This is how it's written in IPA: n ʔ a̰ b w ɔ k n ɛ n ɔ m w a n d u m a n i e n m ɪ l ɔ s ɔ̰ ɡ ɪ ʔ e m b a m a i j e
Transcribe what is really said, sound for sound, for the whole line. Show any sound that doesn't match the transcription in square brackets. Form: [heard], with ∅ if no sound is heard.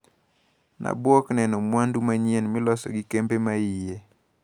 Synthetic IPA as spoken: n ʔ a̰ b w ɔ k n ɛ n ɔ m w a n d u m a [ɲ] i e n m ɪ l ɔ s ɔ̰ ɡ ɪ [k] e m b [e] m a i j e